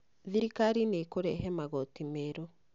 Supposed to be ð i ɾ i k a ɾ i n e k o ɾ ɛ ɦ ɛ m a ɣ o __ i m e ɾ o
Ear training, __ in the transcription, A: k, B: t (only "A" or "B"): B